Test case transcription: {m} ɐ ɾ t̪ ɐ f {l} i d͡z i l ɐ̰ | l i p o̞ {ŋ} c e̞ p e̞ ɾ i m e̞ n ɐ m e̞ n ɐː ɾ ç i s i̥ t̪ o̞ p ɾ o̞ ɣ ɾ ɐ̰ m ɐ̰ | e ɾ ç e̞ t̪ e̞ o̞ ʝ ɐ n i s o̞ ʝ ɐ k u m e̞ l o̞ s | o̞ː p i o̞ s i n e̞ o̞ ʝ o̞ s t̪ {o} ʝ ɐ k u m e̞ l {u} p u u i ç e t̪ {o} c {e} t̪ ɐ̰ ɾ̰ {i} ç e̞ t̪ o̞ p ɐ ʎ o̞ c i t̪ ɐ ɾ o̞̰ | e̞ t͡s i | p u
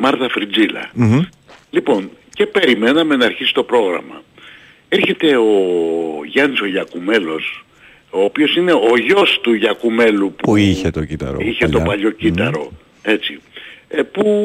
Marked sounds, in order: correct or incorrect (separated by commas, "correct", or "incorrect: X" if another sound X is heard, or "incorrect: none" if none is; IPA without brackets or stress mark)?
correct, incorrect: ɾ, incorrect: n, incorrect: u, correct, correct, incorrect: i, correct